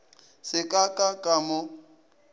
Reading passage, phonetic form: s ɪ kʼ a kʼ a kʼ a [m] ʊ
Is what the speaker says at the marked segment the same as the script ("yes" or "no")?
yes